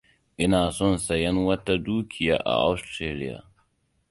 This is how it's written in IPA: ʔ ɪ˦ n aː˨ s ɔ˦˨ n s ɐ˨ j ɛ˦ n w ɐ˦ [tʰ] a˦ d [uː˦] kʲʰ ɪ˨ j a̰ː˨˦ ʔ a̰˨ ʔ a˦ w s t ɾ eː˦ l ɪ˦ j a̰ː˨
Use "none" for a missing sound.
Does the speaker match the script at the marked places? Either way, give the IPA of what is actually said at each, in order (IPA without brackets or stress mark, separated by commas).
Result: t, uː˦